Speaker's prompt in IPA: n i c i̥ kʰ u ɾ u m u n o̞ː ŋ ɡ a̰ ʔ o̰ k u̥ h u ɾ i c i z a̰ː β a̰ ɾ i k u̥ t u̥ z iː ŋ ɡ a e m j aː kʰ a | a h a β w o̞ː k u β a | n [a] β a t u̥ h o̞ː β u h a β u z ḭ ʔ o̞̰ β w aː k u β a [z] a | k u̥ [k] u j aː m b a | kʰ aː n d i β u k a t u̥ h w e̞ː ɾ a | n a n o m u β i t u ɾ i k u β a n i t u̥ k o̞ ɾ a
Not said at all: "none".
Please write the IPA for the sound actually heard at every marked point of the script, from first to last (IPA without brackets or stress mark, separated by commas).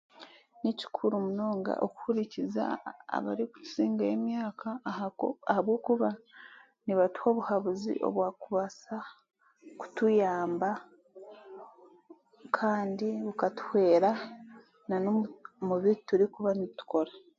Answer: i, s, t